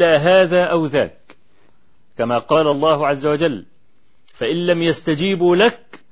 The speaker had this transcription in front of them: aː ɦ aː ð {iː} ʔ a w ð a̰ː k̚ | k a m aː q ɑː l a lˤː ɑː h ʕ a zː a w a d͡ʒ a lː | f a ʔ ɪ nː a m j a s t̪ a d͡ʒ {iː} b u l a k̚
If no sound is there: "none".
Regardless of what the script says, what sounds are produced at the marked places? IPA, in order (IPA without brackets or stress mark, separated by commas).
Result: aː, iː